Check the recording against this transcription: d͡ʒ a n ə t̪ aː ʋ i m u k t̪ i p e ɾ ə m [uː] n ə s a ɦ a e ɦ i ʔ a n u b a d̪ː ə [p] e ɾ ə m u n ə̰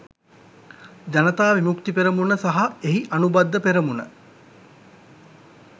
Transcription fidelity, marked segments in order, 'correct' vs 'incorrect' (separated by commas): incorrect, correct